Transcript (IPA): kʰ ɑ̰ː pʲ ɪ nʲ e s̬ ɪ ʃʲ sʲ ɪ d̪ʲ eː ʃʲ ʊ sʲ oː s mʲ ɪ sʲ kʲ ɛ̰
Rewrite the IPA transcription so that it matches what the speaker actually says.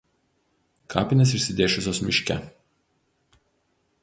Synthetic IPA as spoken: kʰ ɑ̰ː pʲ ɪ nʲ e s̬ ɪ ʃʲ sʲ ɪ d̪ʲ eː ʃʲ ʊ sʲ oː s mʲ ɪ ʃʲ kʲ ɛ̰